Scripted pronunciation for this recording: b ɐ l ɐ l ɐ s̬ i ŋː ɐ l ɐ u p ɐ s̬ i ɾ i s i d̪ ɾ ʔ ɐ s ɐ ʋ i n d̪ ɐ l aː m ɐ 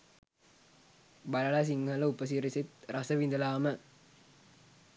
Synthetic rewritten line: b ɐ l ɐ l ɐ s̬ i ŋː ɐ l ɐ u p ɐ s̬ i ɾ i s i t̪ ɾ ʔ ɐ s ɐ ʋ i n d̪ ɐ l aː m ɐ